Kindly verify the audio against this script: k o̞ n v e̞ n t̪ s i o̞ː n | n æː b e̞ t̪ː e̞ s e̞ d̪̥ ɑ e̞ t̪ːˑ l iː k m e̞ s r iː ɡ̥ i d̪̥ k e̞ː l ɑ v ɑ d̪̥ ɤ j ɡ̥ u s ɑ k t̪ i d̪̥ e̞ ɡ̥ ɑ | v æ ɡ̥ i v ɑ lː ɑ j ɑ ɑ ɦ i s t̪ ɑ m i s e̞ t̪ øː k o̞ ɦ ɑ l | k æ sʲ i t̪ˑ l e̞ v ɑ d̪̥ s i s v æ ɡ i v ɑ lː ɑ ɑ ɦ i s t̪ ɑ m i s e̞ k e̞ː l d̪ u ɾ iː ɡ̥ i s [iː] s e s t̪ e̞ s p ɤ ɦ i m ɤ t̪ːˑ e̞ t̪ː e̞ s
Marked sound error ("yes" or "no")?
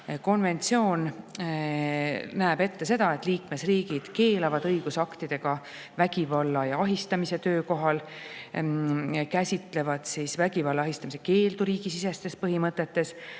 yes